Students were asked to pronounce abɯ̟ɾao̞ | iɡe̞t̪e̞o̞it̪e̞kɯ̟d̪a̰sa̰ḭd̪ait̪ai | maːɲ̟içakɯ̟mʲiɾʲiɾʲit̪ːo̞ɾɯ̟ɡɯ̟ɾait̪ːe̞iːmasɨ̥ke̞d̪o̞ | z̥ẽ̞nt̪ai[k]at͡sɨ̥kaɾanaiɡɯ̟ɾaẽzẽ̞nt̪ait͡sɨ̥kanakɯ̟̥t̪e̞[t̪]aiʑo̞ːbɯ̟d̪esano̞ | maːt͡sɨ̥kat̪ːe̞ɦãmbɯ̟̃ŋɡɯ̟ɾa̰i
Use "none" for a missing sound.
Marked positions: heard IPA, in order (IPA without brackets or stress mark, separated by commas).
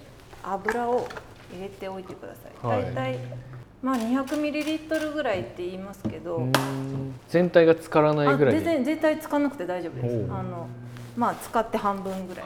ɡ, d̪